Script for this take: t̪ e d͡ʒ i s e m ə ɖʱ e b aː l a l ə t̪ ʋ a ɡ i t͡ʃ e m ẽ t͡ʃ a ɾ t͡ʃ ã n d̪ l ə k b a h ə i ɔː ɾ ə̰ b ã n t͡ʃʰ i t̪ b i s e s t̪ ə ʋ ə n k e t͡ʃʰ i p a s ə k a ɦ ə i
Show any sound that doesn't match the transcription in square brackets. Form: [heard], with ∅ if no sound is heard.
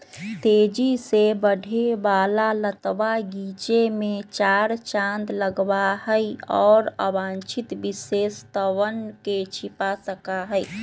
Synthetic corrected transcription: t̪ e d͡ʒ i s e [b] ə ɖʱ e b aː l a l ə t̪ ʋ a ɡ i t͡ʃ e m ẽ t͡ʃ a ɾ t͡ʃ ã n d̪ l ə [ɡ] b a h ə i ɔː ɾ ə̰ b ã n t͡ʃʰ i t̪ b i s e s t̪ ə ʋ ə n k e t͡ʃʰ i p a s ə k a ɦ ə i